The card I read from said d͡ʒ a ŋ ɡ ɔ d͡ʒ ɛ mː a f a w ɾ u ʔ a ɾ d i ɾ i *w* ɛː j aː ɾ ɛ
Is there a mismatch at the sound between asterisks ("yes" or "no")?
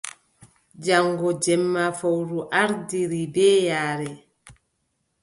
yes